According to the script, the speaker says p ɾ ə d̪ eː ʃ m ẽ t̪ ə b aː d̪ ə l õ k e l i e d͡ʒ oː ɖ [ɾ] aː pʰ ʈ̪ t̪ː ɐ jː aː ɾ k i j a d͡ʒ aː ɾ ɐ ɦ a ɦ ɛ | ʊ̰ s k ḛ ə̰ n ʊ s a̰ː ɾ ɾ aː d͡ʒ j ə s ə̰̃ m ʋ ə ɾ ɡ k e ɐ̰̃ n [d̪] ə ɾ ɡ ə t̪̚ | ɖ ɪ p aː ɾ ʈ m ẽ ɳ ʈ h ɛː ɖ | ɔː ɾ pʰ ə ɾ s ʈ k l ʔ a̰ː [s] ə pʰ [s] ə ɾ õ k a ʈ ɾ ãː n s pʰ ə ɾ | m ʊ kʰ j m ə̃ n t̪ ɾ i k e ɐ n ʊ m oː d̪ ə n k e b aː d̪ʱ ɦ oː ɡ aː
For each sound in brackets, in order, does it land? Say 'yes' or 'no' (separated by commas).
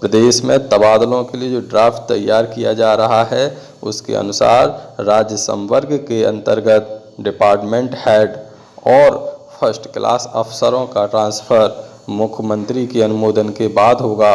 yes, no, yes, yes